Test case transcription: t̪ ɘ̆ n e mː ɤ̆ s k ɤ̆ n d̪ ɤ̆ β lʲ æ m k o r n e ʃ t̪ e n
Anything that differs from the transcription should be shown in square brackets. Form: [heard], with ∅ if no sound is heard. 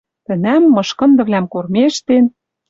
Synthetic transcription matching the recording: t̪ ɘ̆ n [æ] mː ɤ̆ [ʃ] k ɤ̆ n d̪ ɤ̆ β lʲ æ m k o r [m] e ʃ t̪ e n